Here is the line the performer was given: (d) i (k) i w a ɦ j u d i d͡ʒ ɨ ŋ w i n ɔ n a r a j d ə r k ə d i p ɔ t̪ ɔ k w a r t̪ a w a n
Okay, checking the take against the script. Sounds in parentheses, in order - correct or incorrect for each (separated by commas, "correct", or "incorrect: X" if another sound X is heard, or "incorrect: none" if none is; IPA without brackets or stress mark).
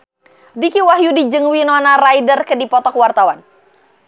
incorrect: b, correct